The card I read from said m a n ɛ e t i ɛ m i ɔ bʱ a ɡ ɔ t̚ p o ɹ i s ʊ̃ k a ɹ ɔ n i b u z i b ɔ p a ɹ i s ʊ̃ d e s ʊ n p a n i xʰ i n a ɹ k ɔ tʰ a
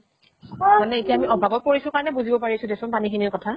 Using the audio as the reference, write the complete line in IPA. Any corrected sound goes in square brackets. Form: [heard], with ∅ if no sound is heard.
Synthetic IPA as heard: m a n ɛ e t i [a] m i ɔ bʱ a ɡ ɔ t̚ p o ɹ i s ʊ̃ k a ɹ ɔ n [ɛ] b u z i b ɔ p a ɹ i s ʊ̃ d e s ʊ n p a n i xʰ i n [i] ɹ k ɔ tʰ a